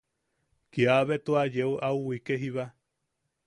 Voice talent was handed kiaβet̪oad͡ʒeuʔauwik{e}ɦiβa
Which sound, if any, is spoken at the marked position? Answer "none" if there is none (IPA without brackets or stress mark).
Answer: e